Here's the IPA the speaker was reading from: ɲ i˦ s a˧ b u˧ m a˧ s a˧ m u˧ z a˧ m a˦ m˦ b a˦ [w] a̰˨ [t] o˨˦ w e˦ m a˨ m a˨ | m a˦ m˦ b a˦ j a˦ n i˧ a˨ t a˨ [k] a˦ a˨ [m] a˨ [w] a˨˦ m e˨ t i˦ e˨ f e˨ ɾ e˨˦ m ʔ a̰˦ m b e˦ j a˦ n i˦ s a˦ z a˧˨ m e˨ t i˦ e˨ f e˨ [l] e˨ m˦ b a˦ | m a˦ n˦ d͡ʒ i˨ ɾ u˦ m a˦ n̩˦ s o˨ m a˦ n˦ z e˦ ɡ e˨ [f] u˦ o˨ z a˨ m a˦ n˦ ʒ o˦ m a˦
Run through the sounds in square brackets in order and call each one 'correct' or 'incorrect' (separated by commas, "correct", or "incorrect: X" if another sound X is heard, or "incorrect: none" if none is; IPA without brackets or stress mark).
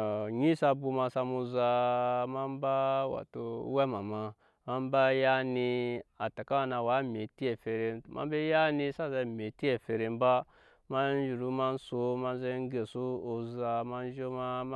correct, correct, correct, incorrect: n, correct, incorrect: ɾ, incorrect: s